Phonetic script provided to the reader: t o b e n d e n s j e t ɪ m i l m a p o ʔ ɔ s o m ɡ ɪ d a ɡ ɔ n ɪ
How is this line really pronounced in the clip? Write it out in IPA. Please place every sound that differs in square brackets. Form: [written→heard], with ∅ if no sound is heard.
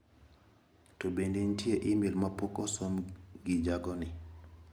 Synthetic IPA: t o b e n d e n [s→t] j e [t→ʔ] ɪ m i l m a p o [ʔ→k] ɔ s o m ɡ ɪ [d→d͡ʒ] a ɡ ɔ n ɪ